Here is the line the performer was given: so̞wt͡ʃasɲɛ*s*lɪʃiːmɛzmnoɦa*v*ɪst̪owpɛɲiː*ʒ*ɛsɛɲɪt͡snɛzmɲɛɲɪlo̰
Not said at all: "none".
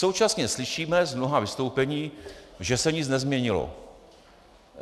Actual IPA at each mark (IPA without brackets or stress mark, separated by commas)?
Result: s, v, ʒ